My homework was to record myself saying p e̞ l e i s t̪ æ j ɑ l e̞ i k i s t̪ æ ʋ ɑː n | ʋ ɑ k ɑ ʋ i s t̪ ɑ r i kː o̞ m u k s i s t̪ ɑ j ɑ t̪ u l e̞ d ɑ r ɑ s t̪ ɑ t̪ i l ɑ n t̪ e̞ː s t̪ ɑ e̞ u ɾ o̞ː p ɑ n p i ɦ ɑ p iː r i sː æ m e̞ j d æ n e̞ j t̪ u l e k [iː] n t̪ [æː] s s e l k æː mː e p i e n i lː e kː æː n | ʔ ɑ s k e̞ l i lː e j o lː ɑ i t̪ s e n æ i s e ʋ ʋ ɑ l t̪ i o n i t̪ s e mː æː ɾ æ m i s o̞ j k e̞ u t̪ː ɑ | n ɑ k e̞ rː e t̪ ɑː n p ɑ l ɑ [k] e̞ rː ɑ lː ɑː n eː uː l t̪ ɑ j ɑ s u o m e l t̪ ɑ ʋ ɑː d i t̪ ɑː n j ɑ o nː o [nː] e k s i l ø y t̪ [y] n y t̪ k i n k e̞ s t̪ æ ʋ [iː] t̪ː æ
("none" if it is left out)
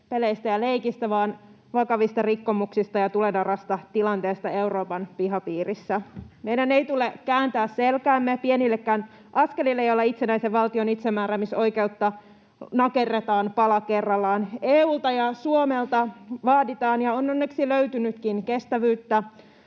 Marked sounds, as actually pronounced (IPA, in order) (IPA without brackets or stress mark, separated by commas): æː, æː, k, nː, y, yː